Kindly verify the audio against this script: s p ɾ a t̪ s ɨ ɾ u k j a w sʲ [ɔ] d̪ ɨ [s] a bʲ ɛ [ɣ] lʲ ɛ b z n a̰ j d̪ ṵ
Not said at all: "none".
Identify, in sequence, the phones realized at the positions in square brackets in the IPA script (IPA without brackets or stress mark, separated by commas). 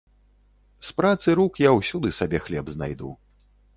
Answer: u, s, x